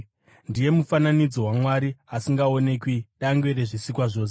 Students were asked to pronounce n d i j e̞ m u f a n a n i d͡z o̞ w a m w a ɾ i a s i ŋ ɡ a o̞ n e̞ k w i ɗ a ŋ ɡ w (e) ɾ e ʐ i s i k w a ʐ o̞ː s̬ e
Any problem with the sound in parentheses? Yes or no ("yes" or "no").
no